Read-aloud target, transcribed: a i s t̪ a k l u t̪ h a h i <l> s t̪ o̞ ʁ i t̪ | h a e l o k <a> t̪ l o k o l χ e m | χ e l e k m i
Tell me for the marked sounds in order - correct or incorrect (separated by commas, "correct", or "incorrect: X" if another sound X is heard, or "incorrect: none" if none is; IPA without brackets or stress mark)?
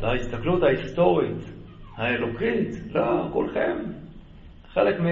incorrect: none, incorrect: i